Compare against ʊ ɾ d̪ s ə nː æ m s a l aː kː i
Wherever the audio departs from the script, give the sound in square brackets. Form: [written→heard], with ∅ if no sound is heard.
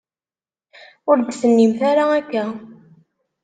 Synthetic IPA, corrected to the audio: ʊ ɾ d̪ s ə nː [æ→i] m [s→θ] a [l→ɾ] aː kː [i→æ]